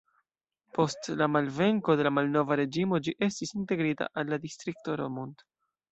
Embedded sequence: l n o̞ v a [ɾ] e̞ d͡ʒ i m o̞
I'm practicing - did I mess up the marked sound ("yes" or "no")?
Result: no